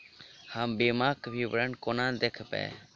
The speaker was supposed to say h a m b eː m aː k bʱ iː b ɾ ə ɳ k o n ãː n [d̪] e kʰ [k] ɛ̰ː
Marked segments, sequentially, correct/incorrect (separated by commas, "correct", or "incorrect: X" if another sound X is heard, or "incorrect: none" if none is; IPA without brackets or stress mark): correct, incorrect: p